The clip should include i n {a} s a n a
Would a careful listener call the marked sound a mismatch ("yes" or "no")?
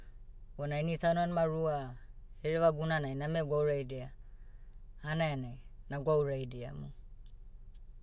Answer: yes